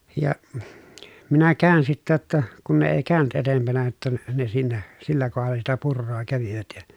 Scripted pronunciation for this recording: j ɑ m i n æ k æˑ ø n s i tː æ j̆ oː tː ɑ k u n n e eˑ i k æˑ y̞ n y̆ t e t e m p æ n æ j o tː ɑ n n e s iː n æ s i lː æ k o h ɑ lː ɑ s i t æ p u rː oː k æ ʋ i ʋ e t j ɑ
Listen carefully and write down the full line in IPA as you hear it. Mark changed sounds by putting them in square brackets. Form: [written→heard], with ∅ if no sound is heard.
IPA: j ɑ m i n æ k æˑ ø n s i tː æ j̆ [oː→o] tː ɑ k u n n e eˑ i k æˑ y̞ n y̆ t e t e m p æ n æ j o tː ɑ n n e s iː n æ s i lː æ k o h ɑ lː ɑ s i t æ p u rː oː k æ ʋ i ʋ [e→æ] t j ɑ